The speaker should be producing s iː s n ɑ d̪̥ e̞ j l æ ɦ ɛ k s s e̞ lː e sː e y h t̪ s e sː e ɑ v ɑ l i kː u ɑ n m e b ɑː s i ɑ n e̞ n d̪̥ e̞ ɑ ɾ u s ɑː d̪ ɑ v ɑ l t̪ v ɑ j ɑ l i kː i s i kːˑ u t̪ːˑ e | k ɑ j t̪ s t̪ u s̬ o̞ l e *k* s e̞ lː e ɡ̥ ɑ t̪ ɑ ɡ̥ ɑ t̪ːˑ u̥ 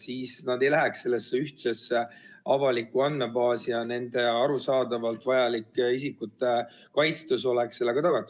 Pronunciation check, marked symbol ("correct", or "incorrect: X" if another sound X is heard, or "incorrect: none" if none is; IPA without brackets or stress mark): correct